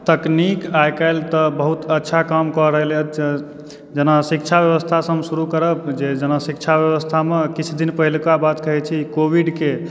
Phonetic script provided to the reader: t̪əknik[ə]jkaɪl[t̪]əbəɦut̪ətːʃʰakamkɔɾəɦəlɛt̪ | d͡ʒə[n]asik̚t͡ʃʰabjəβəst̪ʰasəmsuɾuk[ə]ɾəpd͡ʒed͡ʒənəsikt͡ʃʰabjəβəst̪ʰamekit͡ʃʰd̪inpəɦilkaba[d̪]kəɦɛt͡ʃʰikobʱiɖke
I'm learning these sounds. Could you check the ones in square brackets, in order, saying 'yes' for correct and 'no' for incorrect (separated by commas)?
no, yes, yes, yes, no